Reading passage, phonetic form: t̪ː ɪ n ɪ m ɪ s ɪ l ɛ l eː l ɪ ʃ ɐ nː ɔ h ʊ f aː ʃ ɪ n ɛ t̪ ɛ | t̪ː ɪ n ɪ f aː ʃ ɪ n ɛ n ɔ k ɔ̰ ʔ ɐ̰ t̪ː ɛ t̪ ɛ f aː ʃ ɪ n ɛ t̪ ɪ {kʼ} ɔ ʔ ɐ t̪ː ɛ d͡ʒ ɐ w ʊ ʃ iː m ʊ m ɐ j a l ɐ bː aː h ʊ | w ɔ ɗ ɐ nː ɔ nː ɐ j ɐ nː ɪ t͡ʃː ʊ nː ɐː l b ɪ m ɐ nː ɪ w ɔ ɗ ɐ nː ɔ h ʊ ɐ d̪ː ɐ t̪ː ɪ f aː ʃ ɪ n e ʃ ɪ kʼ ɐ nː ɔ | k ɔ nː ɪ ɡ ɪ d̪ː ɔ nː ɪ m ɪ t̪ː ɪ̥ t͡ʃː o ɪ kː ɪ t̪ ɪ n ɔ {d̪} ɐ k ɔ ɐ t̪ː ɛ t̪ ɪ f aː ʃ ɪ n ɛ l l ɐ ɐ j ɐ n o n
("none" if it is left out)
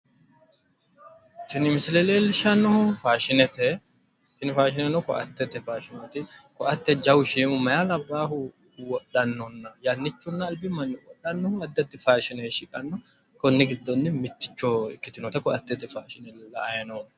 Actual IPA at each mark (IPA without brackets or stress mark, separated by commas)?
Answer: k, t̪